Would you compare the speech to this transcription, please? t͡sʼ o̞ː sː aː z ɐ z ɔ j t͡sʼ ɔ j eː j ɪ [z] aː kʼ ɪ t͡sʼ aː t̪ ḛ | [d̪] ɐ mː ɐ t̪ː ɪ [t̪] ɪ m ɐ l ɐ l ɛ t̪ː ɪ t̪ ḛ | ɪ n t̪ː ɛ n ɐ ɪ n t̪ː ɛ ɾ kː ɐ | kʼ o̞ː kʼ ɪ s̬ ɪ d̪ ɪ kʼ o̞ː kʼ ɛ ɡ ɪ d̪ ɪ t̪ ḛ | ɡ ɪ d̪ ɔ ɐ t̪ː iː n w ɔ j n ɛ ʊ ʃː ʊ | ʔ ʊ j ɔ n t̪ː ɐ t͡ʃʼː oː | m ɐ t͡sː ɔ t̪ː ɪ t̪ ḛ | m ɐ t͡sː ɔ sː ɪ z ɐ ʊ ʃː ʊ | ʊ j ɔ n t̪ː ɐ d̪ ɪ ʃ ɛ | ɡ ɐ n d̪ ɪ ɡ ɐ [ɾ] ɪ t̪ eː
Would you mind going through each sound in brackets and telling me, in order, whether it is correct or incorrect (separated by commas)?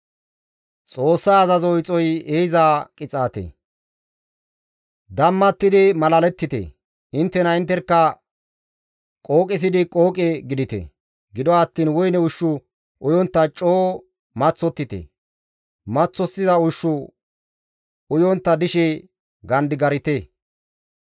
correct, correct, incorrect, correct